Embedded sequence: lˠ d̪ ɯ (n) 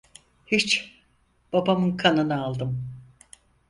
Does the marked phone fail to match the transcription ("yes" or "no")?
yes